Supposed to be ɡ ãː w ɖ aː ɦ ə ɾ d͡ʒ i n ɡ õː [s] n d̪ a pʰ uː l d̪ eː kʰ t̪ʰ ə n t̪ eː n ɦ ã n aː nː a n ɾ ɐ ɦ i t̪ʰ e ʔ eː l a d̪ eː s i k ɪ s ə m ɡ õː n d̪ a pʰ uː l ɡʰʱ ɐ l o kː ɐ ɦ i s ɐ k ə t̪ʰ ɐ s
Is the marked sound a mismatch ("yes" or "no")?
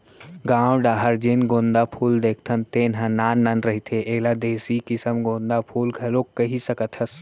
yes